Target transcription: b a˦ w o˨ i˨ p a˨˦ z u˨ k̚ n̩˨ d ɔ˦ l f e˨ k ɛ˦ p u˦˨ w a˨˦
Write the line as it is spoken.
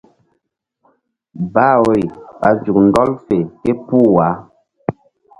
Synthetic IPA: b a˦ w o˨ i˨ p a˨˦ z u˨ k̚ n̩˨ d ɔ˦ l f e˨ k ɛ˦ p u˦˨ w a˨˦